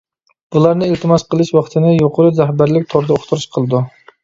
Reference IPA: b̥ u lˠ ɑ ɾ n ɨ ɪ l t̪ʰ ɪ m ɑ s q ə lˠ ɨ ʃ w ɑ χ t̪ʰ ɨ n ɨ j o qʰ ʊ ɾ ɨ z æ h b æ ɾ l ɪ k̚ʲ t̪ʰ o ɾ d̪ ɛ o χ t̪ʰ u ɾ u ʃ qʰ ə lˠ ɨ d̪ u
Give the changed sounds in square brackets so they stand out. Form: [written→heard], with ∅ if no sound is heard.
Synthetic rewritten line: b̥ u lˠ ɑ ɾ n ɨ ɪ l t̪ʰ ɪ m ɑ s q ə lˠ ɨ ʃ w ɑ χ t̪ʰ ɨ n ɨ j o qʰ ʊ ɾ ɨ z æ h b æ ɾ l ɪ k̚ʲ t̪ʰ o ɾ d̪ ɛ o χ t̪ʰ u ɾ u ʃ qʰ ə lˠ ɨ d̪ u